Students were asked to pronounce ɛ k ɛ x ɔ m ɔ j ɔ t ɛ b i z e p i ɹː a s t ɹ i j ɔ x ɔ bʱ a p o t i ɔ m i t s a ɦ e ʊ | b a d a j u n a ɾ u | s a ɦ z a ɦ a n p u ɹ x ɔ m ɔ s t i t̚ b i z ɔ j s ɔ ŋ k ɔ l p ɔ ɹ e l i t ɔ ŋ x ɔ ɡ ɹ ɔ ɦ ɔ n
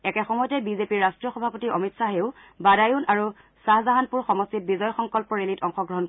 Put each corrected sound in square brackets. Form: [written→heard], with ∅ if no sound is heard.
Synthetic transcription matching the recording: ɛ k ɛ x ɔ m ɔ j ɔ t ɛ b i z e p i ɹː a s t ɹ i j ɔ x ɔ bʱ a p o t i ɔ m i t s a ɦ e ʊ | b a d a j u n a [ɾ→ɹ] u | s a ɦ z a ɦ a n p u ɹ x ɔ m ɔ s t i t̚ b i z ɔ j [s→x] ɔ ŋ k ɔ l p ɔ ɹ e l i t ɔ ŋ x ɔ ɡ ɹ ɔ ɦ ɔ n